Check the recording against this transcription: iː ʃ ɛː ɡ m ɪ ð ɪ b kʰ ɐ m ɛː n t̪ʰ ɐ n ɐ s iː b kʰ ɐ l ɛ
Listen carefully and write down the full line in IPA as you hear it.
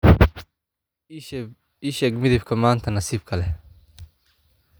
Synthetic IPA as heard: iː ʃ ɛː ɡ m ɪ ð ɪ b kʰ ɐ m aː n t̪ʰ ɐ n ɐ s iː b kʰ ɐ l ɛ